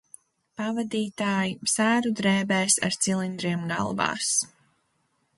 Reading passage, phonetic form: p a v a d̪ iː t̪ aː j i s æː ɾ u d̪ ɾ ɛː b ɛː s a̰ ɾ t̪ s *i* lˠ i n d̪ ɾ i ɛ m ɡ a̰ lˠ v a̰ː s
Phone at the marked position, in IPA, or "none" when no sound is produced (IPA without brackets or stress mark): i